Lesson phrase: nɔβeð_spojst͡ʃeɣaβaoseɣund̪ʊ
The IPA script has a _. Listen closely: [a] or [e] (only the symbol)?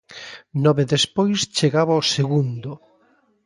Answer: e